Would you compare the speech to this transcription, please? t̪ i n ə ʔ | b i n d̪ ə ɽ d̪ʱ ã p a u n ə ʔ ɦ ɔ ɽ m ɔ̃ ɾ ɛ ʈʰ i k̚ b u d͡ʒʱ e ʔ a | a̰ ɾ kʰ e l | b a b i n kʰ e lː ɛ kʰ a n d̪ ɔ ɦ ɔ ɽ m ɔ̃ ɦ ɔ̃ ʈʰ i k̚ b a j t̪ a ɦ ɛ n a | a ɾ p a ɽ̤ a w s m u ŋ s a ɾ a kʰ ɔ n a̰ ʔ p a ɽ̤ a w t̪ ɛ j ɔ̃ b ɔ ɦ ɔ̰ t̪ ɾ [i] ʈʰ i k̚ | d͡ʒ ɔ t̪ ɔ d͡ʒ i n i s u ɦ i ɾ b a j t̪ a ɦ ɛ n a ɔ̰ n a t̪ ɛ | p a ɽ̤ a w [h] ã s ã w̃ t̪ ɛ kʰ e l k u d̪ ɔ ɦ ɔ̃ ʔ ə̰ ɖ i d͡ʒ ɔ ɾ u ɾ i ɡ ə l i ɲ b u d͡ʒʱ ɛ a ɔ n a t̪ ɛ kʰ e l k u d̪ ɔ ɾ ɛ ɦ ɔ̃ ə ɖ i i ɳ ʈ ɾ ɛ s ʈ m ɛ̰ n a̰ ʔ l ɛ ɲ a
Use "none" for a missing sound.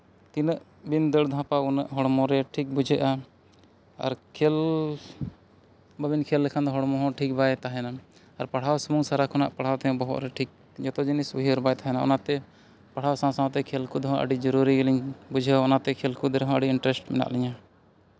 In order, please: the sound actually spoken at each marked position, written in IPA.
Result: ɛ, s

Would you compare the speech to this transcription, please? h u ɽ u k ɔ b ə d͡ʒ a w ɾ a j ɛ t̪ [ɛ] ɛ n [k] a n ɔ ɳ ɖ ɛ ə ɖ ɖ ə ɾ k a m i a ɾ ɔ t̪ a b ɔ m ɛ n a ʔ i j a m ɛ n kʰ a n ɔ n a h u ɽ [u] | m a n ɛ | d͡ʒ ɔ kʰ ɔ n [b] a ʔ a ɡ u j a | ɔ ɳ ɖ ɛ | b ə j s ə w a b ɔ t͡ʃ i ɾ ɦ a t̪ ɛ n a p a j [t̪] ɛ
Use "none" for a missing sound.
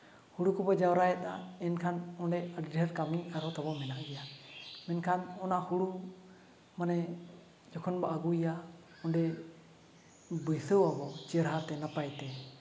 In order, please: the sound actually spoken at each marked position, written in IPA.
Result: a, kʰ, u, b, t̪

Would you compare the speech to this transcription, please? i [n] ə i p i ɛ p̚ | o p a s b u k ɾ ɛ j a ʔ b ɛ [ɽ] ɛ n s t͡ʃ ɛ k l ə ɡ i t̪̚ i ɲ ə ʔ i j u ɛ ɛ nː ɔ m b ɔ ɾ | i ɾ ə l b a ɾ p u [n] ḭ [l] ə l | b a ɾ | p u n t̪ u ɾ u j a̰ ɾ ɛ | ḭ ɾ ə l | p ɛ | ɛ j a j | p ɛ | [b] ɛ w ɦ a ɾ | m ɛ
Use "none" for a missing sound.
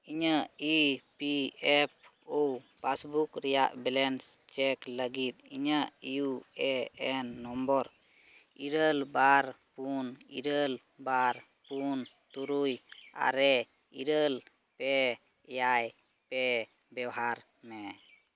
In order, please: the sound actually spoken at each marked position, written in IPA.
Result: ɲ, l, n, ɾ, b

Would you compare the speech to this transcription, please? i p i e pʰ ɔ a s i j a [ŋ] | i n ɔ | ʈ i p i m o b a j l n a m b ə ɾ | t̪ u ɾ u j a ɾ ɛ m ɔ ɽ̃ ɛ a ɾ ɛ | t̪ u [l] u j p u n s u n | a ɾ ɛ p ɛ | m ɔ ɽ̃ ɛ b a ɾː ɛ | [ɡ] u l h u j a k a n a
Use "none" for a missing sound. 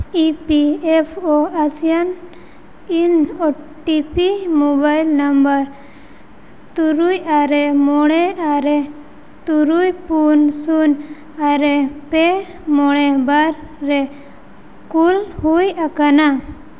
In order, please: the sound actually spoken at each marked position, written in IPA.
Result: n, ɾ, k

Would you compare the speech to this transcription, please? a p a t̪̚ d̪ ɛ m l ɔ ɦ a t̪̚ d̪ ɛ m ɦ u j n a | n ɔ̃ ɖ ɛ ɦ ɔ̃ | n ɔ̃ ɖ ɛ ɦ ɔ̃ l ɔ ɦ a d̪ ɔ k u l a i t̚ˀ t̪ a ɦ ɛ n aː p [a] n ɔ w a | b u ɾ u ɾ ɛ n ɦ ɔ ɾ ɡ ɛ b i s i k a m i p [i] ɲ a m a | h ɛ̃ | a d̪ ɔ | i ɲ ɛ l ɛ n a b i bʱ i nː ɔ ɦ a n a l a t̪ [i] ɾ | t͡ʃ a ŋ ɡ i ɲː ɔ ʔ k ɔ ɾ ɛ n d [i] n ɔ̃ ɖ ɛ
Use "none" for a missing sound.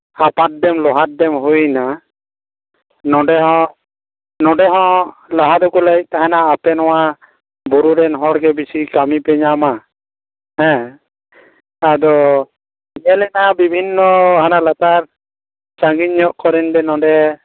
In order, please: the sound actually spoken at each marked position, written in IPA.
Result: ɛ, ɛ, a, ɛ

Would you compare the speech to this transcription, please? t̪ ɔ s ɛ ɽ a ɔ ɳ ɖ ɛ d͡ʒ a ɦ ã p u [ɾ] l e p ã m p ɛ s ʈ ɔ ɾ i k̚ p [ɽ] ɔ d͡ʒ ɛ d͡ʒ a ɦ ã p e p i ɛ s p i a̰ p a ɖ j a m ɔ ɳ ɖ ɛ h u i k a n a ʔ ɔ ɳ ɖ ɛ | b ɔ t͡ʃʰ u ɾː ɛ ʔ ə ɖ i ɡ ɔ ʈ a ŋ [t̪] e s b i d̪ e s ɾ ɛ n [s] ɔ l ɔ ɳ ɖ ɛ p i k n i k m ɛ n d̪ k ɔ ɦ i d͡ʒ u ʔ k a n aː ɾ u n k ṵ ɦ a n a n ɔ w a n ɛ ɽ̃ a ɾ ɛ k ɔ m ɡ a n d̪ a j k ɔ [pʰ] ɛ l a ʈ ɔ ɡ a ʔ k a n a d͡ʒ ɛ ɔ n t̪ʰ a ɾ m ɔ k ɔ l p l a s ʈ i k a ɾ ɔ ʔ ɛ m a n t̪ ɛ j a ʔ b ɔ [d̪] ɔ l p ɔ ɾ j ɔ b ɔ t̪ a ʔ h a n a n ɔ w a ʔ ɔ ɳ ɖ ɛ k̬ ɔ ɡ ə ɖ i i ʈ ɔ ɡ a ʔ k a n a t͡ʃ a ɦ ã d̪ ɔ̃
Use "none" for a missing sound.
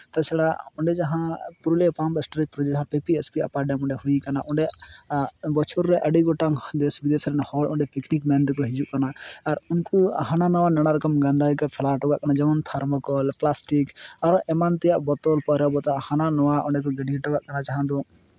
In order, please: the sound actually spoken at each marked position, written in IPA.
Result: ɾ, ɾ, d̪, h, pʰ, t̪

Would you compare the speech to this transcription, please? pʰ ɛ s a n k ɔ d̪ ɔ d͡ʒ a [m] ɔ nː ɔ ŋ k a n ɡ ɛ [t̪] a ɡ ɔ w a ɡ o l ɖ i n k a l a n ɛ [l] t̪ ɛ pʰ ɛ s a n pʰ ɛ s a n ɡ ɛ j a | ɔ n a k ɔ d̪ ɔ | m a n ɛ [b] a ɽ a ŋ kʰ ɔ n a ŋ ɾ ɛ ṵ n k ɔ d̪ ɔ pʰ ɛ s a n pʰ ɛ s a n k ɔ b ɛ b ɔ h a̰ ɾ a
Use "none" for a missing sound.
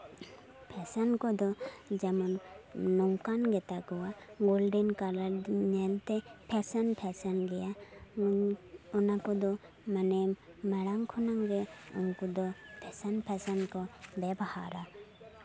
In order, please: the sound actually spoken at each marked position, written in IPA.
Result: m, t̪, l, m

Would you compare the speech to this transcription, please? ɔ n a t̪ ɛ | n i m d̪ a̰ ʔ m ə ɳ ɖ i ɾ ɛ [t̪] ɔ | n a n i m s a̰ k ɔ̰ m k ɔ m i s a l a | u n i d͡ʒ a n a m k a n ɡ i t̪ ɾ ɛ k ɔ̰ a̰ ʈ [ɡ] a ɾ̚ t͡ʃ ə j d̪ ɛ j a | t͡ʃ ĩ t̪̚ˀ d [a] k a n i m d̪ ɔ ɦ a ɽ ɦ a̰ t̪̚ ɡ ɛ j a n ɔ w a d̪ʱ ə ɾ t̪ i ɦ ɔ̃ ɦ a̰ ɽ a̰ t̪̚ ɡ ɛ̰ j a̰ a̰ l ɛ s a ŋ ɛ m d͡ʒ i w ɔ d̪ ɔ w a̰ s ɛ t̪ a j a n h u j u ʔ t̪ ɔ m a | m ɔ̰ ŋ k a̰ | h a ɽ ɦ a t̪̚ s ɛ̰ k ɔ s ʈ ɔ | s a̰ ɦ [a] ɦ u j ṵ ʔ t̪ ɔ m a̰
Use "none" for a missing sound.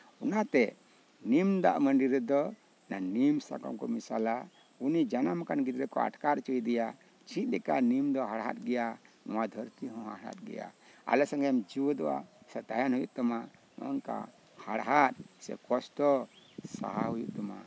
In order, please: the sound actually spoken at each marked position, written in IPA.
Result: d̪, k, ɛ, a

